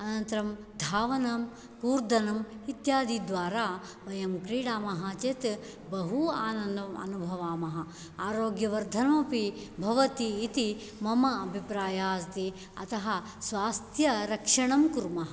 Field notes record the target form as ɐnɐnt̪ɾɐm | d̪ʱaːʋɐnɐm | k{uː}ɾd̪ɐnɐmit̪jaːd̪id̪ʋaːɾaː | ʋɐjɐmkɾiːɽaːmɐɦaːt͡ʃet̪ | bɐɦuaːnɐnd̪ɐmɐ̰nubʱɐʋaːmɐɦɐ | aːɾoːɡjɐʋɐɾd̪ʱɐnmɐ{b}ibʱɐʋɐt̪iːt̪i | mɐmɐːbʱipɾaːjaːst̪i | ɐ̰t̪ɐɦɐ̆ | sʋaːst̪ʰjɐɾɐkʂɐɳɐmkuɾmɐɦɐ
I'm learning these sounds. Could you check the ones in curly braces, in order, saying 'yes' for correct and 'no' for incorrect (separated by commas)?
yes, no